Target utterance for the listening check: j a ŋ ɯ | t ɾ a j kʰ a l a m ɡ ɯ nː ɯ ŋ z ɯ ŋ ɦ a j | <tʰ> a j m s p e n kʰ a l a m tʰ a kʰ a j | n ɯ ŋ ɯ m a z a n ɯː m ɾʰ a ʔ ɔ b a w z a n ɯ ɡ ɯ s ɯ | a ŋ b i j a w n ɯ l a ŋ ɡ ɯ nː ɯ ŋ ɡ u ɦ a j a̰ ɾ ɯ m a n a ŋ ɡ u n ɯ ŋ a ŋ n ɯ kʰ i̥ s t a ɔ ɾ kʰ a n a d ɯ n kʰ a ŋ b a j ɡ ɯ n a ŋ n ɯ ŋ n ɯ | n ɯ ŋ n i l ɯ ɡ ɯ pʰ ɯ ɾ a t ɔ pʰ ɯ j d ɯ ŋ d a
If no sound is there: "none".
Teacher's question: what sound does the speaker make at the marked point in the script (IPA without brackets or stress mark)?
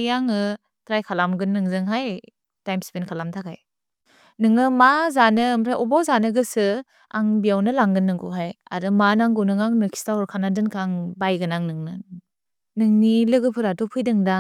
t